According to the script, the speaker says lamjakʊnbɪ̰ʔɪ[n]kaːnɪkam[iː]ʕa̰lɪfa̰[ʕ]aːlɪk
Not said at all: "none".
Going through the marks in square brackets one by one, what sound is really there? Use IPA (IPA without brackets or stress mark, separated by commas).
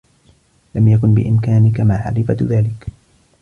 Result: m, aː, ð